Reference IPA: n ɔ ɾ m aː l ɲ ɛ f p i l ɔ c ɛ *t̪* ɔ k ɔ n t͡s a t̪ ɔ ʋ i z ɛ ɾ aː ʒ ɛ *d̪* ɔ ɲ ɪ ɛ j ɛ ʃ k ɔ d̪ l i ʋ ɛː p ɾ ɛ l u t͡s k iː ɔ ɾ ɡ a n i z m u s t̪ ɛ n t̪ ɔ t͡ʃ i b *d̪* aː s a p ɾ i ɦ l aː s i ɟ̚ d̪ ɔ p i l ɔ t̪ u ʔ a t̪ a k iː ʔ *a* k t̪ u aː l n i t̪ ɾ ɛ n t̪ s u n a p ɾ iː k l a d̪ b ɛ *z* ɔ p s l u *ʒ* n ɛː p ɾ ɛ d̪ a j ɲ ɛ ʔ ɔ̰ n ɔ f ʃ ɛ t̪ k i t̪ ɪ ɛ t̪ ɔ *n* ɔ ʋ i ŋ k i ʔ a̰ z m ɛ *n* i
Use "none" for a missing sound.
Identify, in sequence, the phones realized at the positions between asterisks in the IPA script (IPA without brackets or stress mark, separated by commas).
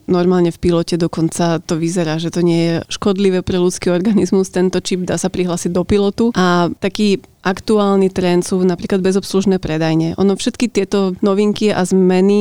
d̪, t̪, d̪, a, z, ʒ, n, n